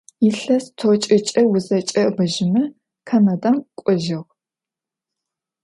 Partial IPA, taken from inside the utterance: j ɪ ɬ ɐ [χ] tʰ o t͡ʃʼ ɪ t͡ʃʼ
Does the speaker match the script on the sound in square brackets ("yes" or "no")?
no